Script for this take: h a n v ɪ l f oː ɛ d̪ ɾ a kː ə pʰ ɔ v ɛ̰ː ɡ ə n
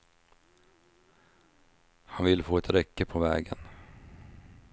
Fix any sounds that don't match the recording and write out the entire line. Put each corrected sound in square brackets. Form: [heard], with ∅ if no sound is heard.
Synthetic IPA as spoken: h a n v ɪ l f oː ɛ [t̪] ɾ [ɛ] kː ə pʰ ɔ v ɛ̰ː ɡ ə n